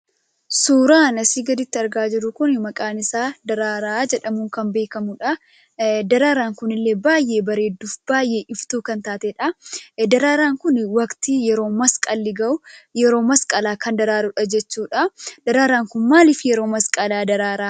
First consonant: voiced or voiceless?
voiceless